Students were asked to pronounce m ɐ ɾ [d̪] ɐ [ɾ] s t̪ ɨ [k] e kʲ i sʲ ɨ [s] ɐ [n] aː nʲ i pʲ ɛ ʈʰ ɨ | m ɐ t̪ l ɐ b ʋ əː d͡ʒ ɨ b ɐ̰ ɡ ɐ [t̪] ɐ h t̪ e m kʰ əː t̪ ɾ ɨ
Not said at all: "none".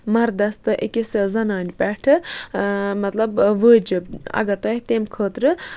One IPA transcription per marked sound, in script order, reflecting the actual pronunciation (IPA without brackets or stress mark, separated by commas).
d̪, none, ʔ, z, n, t̪